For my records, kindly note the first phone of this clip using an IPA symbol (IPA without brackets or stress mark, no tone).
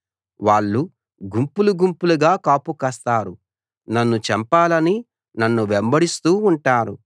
ʋ